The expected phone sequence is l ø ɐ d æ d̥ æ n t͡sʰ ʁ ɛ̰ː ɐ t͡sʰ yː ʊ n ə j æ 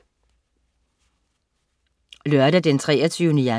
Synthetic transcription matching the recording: l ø ɐ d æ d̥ e n t͡sʰ ʁ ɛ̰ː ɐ t͡sʰ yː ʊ n ə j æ